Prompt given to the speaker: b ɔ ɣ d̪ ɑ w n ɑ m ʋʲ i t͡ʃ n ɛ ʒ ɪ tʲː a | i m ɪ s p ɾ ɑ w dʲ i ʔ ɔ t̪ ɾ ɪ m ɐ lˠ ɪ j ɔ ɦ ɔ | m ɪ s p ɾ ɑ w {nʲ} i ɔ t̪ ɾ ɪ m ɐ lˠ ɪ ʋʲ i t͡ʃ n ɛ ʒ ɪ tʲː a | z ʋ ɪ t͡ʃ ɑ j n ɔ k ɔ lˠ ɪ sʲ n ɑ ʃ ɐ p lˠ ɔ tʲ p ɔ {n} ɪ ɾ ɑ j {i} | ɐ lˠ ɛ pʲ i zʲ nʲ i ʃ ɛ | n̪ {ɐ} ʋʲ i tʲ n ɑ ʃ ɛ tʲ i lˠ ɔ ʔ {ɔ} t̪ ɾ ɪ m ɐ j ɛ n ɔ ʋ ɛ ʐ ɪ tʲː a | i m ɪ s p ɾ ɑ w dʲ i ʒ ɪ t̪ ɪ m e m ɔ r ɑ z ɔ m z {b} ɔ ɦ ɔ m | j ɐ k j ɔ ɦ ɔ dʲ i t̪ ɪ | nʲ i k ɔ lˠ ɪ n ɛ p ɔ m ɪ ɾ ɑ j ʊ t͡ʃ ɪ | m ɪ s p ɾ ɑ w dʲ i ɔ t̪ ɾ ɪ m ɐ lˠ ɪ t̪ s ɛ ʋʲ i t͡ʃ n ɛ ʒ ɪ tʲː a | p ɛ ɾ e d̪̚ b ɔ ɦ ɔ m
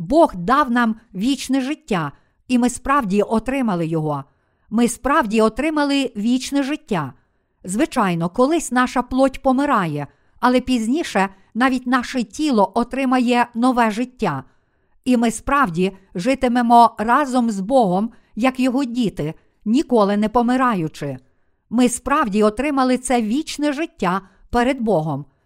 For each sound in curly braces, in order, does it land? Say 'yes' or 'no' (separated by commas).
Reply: no, no, no, no, yes, yes